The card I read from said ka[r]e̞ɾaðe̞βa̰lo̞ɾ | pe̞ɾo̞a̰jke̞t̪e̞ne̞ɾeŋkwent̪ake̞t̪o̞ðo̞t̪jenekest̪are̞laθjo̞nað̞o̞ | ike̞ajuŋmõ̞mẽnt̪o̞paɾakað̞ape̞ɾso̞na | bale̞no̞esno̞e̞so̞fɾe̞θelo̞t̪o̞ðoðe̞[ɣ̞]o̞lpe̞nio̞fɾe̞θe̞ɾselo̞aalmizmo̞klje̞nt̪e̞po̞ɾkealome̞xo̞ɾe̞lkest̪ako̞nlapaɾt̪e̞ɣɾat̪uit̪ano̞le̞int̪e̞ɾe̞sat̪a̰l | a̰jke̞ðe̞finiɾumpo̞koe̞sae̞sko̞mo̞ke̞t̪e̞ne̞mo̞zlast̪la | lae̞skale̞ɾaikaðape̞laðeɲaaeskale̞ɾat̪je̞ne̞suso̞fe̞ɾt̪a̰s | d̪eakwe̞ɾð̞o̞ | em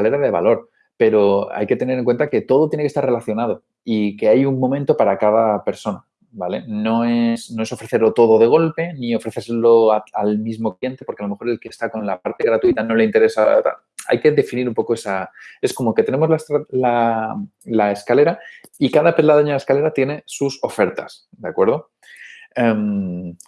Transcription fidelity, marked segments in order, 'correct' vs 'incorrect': incorrect: l, correct

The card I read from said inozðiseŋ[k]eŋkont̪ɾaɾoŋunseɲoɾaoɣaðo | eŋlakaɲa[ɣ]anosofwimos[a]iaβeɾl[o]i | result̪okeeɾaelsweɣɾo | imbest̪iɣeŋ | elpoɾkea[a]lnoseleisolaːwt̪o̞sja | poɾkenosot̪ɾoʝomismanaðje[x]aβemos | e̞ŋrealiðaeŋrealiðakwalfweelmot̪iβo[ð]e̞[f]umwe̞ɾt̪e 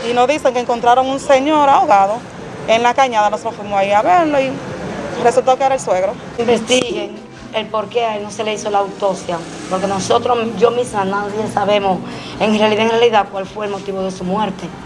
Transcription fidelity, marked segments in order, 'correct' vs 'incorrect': correct, incorrect: ð, correct, correct, incorrect: e, incorrect: s, correct, incorrect: s

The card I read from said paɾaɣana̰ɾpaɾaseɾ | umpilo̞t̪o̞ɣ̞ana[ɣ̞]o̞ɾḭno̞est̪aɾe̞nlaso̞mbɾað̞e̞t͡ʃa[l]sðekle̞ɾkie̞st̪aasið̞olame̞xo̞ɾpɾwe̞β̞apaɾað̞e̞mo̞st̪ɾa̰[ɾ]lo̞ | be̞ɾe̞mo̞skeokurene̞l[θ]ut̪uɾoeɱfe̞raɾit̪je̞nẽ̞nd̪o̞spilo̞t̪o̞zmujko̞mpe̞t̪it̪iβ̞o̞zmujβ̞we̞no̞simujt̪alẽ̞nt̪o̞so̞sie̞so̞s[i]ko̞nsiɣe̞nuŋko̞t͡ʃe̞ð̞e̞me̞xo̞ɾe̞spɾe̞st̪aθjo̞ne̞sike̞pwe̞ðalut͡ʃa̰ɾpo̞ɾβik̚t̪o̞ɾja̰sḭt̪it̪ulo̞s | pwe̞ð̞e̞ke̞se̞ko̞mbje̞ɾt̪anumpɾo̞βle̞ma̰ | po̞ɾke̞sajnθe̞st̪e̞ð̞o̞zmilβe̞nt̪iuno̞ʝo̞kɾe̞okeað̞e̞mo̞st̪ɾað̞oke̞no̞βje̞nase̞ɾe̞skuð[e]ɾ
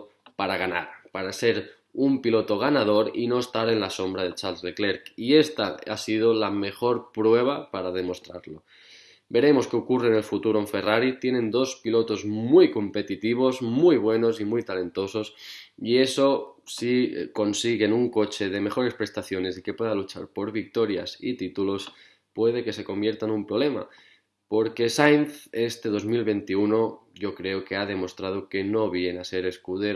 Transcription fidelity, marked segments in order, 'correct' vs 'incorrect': incorrect: ð̞, correct, correct, incorrect: f, correct, correct

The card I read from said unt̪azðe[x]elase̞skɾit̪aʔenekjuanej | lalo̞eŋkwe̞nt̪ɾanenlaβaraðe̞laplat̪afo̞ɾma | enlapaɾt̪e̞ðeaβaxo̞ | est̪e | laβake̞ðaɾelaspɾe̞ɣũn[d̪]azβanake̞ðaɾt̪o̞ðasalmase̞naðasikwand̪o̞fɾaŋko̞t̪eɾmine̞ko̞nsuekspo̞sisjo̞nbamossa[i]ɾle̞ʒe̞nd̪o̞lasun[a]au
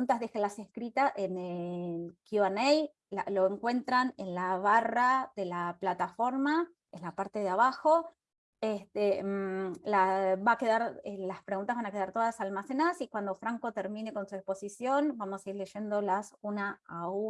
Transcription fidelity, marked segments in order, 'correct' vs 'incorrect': correct, incorrect: t̪, correct, correct

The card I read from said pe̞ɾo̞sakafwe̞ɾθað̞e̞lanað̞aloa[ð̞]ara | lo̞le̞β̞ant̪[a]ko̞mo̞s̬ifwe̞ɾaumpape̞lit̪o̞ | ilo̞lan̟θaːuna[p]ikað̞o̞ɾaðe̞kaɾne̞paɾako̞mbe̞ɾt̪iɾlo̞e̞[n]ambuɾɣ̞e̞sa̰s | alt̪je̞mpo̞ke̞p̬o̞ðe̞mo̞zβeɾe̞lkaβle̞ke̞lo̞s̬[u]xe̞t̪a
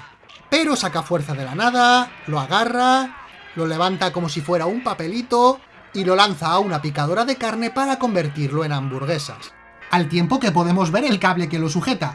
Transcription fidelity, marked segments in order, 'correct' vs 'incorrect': incorrect: ɣ̞, correct, correct, correct, correct

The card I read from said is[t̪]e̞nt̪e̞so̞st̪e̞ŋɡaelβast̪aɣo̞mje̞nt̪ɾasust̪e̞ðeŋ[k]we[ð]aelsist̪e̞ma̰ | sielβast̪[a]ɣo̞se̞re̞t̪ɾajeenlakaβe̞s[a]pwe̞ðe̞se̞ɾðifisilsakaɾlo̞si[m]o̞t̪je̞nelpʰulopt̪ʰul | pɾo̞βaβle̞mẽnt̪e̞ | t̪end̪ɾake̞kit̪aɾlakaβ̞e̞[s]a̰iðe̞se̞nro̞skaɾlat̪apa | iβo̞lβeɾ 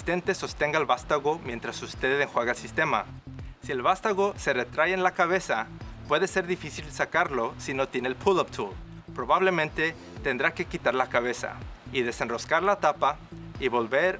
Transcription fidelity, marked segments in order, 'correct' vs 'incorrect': correct, incorrect: x, incorrect: ɣ, correct, correct, incorrect: n, correct

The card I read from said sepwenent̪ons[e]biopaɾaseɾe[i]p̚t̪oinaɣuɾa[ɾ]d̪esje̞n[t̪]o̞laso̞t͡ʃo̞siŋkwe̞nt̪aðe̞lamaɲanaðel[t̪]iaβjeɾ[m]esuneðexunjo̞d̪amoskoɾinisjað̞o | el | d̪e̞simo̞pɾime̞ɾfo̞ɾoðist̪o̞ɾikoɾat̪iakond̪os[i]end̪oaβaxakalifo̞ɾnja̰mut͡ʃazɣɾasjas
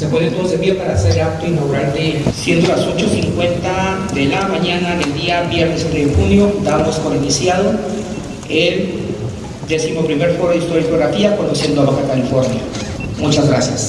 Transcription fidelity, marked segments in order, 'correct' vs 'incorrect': correct, incorrect: a, correct, incorrect: d̪, incorrect: d̪, incorrect: n, incorrect: j

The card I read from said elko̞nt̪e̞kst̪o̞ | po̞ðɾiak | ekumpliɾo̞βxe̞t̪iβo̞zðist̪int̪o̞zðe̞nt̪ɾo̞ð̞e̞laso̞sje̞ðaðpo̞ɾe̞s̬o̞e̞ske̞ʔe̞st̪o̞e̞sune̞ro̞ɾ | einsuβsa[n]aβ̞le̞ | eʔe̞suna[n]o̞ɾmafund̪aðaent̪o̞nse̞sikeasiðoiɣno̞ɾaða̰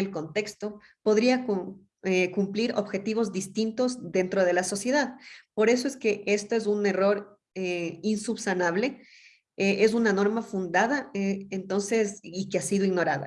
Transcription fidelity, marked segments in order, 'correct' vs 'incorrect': correct, correct

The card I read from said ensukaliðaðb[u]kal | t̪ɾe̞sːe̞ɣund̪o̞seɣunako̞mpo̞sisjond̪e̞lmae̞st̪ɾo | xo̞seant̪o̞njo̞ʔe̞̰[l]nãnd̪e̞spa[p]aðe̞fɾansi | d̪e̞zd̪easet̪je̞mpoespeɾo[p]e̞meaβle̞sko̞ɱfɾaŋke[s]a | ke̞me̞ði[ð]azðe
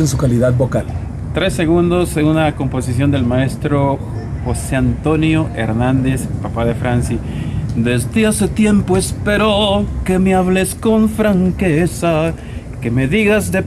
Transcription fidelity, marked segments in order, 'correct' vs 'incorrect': incorrect: o, incorrect: ɾ, correct, incorrect: k, correct, incorrect: ɣ

